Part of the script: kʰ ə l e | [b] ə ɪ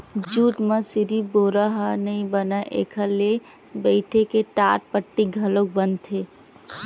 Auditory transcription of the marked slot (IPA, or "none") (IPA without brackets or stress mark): b